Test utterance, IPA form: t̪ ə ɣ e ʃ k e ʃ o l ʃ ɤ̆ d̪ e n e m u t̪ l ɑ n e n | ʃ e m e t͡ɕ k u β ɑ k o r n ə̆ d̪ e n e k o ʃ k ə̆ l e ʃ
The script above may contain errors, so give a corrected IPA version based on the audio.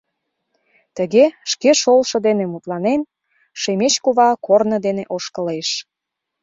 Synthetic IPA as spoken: t̪ ə ɣ e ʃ k e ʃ o l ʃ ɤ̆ d̪ e n e m u t̪ l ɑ n e n | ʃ e m e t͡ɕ k u β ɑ k o r n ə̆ d̪ e n e ʔ o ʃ k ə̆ l e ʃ

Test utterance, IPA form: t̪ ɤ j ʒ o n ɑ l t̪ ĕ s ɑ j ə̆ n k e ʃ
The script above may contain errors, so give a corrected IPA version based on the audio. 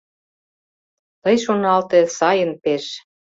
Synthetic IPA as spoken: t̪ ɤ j ʃ o n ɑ l t̪ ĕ s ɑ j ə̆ n p e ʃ

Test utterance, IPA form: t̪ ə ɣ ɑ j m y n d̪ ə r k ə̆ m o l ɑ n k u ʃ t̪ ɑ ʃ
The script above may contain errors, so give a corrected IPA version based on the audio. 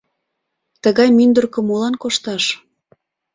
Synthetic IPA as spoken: t̪ ə ɣ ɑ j m y n d̪ ə r k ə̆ m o l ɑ n k o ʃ t̪ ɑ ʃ

